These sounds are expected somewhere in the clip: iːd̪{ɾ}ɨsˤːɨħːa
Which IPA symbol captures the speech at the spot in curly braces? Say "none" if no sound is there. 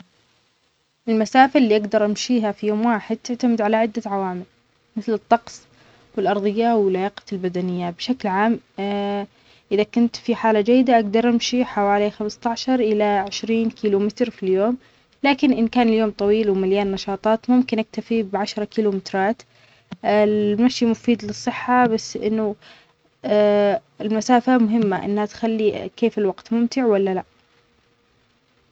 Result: l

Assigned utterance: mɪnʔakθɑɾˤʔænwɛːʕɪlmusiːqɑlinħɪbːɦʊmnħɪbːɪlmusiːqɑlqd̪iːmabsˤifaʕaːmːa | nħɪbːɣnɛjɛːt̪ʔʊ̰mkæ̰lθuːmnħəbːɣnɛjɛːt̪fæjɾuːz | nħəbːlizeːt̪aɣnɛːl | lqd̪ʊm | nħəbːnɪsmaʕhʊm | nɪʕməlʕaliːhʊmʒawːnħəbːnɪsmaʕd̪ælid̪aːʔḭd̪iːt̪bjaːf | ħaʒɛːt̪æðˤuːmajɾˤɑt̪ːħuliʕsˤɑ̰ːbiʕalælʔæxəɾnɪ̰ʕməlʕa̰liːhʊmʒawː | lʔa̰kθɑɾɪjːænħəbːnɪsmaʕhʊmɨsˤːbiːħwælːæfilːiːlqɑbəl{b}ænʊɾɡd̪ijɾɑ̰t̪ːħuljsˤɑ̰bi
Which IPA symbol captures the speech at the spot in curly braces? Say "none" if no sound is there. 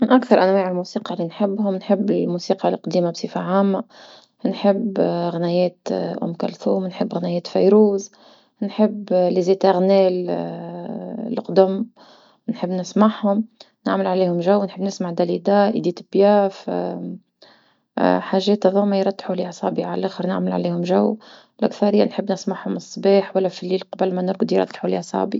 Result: m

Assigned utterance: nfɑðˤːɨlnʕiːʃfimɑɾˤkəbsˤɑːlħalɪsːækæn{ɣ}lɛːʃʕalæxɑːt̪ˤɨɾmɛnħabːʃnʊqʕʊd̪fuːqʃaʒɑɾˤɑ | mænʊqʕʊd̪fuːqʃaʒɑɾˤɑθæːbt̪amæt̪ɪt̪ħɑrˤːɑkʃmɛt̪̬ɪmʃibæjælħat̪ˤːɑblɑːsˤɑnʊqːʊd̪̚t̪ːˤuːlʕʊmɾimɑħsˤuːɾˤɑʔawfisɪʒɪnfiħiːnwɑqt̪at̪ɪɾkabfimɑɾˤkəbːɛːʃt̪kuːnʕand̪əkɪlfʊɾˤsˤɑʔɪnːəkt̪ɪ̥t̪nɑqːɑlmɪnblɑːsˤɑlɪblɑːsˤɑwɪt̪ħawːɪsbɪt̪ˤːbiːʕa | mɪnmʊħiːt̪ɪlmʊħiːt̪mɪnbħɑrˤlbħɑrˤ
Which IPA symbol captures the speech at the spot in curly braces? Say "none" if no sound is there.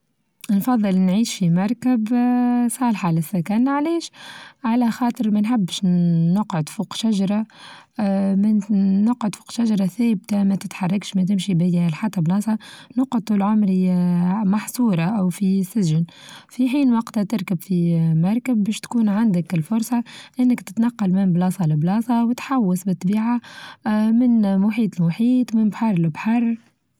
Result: ʕ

